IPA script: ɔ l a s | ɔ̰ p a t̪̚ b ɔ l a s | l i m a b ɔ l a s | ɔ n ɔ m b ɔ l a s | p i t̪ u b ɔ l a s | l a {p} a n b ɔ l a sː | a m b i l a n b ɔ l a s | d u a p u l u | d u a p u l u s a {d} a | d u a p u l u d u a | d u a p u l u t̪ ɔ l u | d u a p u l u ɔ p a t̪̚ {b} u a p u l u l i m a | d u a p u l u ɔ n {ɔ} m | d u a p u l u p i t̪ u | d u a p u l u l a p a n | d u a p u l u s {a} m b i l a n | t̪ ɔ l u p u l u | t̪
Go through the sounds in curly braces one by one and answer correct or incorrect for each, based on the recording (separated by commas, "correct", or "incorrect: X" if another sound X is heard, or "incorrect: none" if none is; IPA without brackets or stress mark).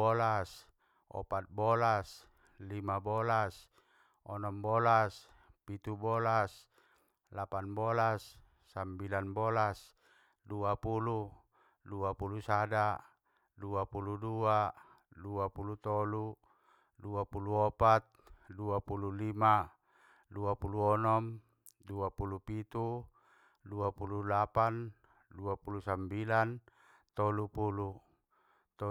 correct, correct, incorrect: d, correct, correct